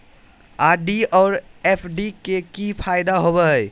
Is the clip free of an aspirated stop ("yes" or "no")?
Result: no